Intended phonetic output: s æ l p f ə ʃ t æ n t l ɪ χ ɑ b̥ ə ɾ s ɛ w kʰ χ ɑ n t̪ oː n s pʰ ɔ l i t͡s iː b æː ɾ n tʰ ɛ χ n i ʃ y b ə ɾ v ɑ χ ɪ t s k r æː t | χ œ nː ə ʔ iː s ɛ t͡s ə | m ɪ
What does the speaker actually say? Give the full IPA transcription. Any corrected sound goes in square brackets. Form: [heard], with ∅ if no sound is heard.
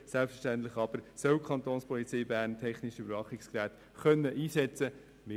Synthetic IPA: s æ l p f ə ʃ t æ n t l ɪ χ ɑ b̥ ə ɾ s [œ] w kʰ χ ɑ n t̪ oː n s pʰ ɔ l i t͡s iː b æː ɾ n tʰ ɛ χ n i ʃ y b ə ɾ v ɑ χ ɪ [k] s k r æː t | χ œ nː ə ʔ iː s ɛ t͡s ə | m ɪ